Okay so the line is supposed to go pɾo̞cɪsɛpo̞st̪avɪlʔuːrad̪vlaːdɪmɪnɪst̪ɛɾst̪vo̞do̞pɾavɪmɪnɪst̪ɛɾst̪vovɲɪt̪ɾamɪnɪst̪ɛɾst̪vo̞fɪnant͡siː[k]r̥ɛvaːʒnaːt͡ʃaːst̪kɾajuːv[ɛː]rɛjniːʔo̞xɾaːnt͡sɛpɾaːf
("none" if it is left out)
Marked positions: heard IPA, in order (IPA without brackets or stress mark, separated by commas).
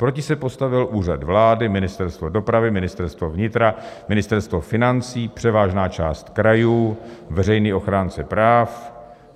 p, ɛ